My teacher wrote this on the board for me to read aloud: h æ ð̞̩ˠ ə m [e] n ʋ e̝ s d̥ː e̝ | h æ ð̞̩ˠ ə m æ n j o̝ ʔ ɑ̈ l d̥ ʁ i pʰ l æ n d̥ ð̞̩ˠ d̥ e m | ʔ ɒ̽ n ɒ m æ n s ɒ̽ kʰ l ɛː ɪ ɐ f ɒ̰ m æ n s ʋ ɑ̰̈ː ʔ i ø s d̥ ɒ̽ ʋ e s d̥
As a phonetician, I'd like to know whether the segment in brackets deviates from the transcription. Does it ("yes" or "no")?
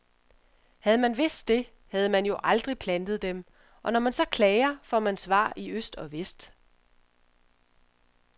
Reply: yes